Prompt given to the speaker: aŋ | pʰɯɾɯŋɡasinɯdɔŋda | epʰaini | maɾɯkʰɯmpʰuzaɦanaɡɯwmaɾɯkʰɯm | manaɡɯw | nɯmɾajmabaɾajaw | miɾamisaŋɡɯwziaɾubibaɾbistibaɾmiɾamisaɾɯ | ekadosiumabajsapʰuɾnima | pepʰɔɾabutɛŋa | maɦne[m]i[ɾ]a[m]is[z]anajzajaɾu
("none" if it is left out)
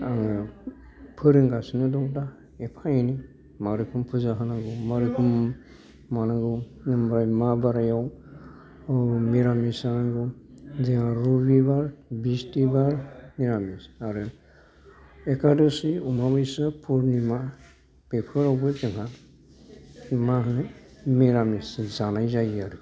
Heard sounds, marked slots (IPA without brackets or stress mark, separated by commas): m, ɾ, m, z